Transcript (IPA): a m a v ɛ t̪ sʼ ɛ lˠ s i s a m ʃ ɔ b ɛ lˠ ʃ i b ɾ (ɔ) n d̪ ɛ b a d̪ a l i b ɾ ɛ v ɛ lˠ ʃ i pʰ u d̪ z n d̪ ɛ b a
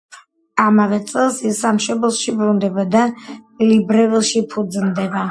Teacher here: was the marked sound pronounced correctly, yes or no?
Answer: no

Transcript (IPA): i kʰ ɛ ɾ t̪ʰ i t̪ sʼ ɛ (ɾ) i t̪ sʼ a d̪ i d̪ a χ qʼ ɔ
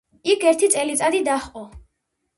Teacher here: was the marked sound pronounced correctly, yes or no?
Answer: no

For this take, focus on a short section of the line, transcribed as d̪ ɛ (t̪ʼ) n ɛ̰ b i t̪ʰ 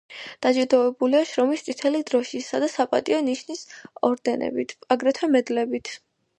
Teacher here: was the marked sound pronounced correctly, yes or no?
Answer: no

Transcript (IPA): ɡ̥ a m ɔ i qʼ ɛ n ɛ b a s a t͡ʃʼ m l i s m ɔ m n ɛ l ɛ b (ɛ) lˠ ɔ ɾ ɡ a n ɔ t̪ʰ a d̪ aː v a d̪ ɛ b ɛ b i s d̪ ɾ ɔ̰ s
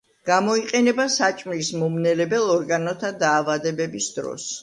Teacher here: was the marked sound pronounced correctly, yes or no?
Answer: yes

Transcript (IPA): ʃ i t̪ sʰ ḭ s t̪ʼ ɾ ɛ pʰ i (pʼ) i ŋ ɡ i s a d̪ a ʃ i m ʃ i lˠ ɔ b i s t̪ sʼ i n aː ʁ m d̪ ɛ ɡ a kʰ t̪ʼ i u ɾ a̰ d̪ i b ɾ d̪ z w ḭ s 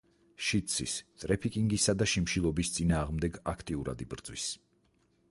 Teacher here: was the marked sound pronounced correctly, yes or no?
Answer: no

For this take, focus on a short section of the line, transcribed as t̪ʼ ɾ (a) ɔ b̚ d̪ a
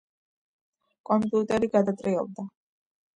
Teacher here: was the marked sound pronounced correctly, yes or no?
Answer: no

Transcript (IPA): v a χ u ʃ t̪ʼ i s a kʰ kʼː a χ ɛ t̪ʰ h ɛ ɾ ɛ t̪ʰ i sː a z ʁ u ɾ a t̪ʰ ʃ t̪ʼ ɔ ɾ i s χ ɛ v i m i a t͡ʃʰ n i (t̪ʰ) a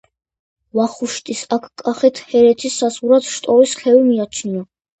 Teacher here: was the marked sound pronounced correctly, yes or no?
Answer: no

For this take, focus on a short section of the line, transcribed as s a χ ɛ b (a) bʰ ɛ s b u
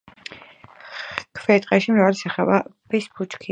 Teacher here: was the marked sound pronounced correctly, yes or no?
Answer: yes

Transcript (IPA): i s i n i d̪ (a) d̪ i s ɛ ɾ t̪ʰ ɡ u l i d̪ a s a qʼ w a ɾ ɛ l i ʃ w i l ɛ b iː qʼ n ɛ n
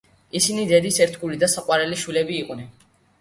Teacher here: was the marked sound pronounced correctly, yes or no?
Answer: no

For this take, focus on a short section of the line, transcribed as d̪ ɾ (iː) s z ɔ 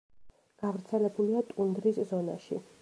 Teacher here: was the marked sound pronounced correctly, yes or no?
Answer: no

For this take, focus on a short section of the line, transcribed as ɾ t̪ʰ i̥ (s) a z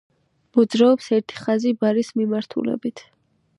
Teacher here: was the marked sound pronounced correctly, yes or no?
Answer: no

